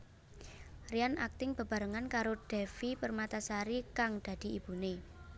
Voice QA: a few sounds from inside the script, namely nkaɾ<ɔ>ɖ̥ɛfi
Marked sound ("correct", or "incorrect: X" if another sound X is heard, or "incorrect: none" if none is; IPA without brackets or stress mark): incorrect: o